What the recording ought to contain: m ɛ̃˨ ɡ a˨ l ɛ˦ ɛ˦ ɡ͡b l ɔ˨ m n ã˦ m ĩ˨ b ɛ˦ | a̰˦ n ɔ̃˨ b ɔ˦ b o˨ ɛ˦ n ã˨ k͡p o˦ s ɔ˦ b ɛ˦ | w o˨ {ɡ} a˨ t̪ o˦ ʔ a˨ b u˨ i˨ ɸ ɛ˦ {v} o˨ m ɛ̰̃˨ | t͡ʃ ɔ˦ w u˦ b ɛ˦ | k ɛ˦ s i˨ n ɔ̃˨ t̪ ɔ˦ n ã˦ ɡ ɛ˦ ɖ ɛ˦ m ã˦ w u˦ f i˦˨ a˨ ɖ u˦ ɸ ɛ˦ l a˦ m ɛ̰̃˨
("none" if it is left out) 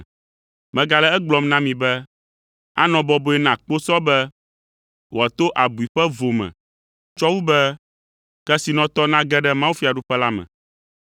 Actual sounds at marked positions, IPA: none, v

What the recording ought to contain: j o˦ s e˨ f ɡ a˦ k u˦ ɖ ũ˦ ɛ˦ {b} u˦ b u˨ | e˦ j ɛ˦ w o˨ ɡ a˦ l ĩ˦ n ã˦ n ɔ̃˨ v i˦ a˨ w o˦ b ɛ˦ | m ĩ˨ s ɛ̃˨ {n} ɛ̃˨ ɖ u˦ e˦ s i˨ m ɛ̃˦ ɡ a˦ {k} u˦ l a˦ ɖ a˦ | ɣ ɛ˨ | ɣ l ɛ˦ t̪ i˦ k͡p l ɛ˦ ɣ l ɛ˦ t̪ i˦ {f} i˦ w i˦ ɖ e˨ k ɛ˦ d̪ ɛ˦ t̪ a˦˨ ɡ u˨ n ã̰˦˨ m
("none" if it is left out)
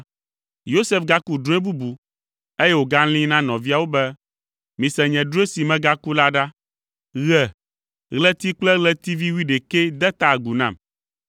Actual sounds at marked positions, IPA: b, ɲ, k, v

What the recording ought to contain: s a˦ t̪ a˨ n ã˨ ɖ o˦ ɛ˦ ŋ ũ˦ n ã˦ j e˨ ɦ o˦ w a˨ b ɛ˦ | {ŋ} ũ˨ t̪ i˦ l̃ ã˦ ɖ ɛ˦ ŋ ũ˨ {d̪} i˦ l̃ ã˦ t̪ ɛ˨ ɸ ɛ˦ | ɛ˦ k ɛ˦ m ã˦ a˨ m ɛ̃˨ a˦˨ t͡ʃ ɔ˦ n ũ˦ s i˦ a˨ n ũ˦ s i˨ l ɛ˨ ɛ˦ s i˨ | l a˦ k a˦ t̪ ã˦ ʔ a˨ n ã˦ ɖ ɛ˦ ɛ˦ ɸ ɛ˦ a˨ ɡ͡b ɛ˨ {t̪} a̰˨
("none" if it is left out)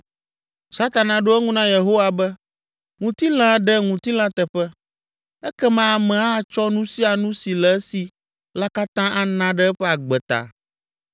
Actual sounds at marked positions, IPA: ŋ, t̪, t̪

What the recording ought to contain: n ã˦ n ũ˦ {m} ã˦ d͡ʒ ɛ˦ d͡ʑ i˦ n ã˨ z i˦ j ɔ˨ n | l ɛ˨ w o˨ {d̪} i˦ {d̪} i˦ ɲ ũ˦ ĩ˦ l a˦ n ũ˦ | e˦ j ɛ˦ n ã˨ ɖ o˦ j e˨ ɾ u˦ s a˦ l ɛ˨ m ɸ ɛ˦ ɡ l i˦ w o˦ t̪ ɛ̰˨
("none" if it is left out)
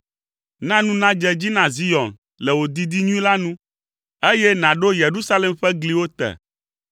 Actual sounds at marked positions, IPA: n, d̪, d̪

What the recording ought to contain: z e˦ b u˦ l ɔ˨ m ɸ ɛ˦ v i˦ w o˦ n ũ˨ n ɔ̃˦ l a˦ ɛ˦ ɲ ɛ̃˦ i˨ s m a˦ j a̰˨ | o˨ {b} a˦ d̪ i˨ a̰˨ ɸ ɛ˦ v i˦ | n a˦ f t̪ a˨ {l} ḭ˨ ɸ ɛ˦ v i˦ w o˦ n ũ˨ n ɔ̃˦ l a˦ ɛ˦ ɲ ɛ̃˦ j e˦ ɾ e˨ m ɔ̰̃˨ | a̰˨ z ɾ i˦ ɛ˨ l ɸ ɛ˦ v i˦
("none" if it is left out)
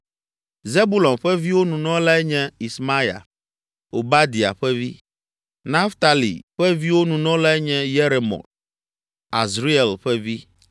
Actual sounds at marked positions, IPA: b, l

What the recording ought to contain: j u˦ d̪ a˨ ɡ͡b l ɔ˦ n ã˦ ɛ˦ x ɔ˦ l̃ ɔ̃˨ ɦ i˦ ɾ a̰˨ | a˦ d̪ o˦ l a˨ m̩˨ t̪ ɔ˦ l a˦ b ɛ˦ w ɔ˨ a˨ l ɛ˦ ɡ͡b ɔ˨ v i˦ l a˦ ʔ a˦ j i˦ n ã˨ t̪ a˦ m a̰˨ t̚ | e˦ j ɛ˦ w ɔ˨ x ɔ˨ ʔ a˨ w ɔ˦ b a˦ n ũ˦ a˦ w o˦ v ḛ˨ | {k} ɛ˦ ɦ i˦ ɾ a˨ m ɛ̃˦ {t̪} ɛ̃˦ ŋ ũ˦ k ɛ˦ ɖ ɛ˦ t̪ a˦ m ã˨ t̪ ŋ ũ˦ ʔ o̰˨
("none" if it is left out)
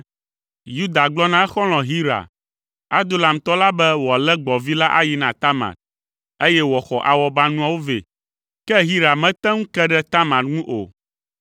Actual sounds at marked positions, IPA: k, t̪

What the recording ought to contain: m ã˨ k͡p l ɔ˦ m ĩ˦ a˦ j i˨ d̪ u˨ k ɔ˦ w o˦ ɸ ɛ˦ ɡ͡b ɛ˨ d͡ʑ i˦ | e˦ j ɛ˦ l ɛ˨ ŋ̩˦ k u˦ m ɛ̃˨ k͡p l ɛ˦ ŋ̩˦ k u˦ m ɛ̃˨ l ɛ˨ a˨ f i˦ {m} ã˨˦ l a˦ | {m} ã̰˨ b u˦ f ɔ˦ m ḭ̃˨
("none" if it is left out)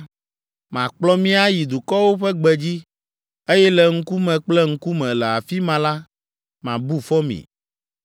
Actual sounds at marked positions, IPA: m, m

